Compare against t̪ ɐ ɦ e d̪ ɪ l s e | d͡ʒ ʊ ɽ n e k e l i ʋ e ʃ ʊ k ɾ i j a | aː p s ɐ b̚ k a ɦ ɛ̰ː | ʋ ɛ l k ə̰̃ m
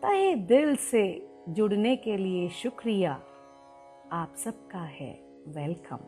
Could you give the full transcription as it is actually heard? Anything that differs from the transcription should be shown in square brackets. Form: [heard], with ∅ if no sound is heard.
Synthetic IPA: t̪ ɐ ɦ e d̪ ɪ l s e | d͡ʒ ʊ ɽ n e k e l i [∅] e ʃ ʊ k ɾ i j a | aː p s ɐ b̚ k a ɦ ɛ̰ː | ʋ ɛ l k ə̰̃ m